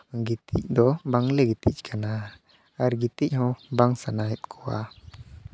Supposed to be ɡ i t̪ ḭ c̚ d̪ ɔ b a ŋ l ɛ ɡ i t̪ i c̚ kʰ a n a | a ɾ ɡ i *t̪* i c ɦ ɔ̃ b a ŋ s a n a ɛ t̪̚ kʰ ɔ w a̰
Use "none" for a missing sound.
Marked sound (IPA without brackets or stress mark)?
t̪